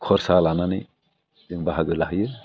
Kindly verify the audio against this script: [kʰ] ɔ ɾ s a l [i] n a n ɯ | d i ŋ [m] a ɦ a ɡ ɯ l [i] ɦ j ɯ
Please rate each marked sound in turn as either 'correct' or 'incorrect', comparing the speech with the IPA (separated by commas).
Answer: correct, incorrect, incorrect, incorrect